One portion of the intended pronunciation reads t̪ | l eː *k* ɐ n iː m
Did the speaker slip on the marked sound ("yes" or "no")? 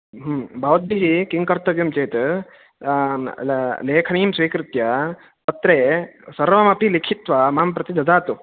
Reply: yes